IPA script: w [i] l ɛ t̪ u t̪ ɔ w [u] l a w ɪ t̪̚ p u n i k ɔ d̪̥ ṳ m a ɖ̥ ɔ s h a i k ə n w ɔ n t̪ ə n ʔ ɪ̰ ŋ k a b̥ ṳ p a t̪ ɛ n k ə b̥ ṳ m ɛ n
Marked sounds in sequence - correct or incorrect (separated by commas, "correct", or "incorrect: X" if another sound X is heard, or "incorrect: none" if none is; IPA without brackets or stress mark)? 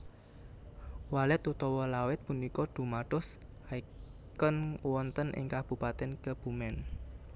incorrect: a, incorrect: ɔ